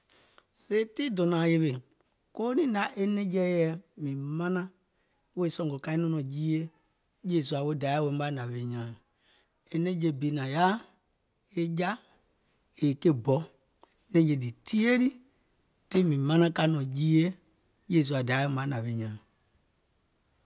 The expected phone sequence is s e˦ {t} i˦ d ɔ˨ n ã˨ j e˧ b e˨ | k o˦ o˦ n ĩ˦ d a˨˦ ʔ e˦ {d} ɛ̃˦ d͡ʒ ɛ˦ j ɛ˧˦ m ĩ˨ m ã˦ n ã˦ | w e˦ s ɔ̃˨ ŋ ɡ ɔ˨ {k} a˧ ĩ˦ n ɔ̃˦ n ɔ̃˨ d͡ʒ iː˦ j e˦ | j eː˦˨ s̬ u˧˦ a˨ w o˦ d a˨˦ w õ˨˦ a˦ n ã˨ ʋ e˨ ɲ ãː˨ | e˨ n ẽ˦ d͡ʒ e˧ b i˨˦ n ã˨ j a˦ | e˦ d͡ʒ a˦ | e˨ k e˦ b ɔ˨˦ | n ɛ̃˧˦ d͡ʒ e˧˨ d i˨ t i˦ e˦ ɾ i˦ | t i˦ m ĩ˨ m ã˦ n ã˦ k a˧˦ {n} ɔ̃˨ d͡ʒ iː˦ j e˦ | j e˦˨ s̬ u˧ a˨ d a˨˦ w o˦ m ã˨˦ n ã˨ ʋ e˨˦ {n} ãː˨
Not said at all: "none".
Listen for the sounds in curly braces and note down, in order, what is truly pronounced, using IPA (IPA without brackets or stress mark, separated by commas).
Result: t, n, k, n, ɲ